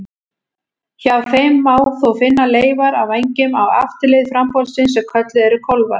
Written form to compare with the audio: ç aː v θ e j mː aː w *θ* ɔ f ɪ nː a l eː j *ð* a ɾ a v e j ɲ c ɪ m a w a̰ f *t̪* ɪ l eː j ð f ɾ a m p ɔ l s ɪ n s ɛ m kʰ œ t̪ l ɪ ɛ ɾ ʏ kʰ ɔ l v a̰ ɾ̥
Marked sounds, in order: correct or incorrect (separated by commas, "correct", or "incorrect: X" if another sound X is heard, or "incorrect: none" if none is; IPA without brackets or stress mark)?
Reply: correct, incorrect: v, correct